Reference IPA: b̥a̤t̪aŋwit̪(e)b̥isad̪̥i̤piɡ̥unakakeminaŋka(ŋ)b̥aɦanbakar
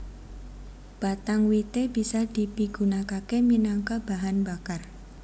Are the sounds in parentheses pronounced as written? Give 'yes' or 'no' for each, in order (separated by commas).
yes, no